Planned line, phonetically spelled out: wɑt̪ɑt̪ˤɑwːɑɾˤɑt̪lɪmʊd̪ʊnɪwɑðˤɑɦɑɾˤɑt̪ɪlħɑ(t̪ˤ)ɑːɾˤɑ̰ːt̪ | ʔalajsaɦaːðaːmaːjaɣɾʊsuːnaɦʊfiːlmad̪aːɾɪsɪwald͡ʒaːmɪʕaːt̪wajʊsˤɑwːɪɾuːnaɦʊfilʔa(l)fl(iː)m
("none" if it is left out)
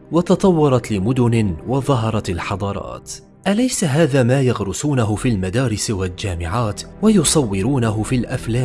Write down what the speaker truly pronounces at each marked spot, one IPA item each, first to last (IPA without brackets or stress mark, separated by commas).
d̪ˤ, none, aː